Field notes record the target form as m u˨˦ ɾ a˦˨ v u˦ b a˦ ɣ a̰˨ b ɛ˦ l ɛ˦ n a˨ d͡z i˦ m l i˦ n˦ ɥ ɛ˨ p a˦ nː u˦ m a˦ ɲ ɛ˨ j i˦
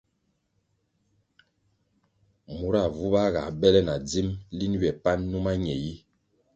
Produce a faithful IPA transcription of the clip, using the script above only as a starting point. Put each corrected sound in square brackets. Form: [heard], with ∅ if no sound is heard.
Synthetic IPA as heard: m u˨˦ ɾ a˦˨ v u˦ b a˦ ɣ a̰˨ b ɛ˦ l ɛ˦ n a˨ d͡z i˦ m l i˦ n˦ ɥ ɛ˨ p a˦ nː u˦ m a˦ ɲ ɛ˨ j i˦

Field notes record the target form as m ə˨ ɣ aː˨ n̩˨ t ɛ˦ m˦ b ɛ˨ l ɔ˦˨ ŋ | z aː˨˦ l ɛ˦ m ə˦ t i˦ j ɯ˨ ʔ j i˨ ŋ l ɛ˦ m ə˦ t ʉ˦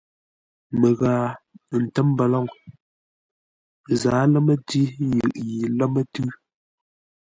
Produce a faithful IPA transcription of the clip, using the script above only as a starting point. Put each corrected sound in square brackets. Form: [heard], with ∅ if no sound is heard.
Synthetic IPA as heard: m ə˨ ɣ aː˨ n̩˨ t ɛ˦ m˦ b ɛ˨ l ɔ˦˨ ŋ | z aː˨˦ l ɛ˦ m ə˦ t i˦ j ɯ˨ ʔ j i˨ [∅] l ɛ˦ m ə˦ t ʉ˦

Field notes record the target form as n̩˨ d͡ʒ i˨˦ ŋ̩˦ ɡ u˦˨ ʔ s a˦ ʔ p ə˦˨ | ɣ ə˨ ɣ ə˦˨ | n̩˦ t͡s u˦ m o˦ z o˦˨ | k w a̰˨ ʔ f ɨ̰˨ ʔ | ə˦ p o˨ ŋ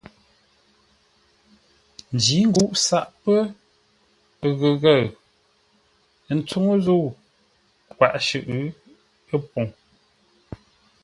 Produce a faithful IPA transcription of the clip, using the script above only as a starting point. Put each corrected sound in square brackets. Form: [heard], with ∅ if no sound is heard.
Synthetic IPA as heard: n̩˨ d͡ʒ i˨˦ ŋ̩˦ ɡ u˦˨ ʔ s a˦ ʔ p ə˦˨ | ɣ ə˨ ɣ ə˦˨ | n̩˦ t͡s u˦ [ŋ] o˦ z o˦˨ | k w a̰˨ ʔ [ʃ] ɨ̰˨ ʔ | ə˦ p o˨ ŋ

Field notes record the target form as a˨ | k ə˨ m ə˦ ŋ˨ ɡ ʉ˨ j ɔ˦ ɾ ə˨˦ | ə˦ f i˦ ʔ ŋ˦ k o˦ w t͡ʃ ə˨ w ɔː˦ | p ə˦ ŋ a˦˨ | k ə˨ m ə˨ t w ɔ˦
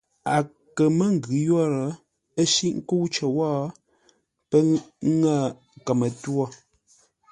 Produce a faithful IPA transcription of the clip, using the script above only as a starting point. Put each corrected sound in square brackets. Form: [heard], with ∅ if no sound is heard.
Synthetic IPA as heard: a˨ | k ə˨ m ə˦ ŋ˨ ɡ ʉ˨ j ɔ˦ ɾ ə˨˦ | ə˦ [ʃ] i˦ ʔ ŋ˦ k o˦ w t͡ʃ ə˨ w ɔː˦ | p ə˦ ŋ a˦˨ | k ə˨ m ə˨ t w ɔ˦

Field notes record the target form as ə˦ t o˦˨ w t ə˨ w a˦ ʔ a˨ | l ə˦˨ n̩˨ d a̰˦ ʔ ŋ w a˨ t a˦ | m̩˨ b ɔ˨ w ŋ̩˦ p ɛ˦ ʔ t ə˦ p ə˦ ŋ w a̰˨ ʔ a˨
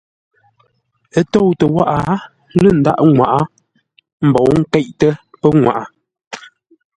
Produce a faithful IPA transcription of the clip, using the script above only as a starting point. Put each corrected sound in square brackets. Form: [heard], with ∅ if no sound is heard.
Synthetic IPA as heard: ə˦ t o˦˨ w t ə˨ w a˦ ʔ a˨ | l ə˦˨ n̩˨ d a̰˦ ʔ ŋ w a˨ [ʔ] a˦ | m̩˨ b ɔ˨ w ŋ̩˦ [k] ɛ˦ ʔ t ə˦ p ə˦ ŋ w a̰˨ ʔ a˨

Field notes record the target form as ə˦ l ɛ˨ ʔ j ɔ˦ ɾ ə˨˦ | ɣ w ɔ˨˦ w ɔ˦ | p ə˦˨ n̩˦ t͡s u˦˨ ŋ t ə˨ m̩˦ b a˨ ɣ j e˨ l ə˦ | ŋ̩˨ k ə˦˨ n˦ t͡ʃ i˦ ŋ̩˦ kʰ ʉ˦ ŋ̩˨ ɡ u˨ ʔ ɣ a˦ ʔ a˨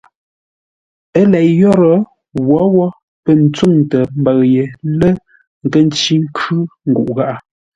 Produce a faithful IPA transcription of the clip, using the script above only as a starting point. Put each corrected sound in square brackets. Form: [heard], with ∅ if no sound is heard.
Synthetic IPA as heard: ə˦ l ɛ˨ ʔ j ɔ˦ ɾ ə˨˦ | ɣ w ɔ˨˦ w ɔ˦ | p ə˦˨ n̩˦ t͡s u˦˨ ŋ t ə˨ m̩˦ b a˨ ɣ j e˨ l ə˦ | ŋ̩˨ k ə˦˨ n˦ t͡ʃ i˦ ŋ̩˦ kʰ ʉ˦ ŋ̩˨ ɡ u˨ ʔ ɣ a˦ ʔ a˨

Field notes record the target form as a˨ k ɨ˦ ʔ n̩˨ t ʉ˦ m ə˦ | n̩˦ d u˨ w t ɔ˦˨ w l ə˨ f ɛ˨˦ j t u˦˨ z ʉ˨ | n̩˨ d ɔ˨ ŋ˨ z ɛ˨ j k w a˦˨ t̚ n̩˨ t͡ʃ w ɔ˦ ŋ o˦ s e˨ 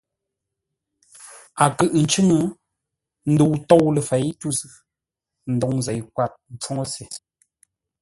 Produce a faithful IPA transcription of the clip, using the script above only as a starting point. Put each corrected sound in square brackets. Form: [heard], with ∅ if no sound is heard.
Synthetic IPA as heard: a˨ k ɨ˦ ʔ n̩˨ [t͡ʃ] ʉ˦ [ŋ] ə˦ | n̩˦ d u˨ w t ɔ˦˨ w l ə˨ f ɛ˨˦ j t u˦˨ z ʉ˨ | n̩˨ d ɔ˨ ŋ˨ z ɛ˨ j k w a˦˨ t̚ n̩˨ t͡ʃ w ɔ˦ ŋ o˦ s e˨

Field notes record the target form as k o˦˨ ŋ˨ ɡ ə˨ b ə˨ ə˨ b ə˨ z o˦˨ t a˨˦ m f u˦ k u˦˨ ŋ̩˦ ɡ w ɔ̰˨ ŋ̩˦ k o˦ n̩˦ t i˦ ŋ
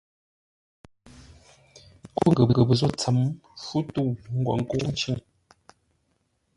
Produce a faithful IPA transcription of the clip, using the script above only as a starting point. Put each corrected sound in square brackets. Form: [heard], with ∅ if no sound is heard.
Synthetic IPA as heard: k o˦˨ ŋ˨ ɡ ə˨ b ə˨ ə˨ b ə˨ z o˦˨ [t͡s] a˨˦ m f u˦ [t] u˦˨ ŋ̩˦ ɡ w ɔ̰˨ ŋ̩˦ k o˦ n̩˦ [t͡ʃ] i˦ ŋ

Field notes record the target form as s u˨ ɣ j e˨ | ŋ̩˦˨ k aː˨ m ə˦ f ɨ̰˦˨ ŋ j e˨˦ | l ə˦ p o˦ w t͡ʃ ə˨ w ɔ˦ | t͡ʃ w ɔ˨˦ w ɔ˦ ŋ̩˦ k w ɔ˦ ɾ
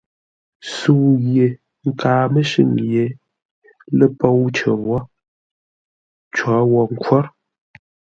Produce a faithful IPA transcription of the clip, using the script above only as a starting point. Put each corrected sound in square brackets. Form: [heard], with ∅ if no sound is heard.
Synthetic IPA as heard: s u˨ ɣ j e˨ | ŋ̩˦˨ k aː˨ m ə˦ [ʃ] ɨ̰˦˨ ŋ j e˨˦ | l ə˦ p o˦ w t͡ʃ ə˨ w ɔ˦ | t͡ʃ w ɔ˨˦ w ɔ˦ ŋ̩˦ k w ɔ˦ ɾ

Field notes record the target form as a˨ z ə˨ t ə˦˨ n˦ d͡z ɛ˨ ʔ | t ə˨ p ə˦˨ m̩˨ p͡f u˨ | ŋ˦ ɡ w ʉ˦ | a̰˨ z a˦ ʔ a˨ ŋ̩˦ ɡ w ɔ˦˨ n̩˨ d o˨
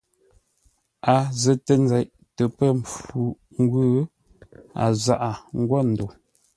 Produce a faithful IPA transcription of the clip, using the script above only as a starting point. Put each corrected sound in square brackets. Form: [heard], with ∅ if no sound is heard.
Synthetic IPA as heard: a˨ z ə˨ t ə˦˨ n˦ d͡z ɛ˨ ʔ | t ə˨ p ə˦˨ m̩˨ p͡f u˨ | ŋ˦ ɡ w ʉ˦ | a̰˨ z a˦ ʔ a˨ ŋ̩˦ ɡ w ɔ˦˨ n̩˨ d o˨

